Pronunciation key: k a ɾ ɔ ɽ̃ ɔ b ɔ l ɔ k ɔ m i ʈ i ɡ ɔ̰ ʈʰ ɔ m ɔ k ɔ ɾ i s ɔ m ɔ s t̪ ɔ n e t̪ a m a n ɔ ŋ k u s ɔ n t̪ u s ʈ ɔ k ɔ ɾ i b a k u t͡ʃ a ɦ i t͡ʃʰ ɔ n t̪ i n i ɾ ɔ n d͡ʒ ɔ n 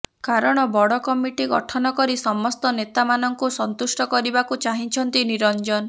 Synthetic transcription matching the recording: k a ɾ ɔ ɽ̃ ɔ b ɔ ɽ ɔ k ɔ m i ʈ i ɡ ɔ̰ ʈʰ ɔ n ɔ k ɔ ɾ i s ɔ m ɔ s t̪ ɔ n e t̪ a m a n ɔ ŋ k u s ɔ n t̪ u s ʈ ɔ k ɔ ɾ i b a k u t͡ʃ a ɦ i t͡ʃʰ ɔ n t̪ i n i ɾ ɔ n d͡ʒ ɔ n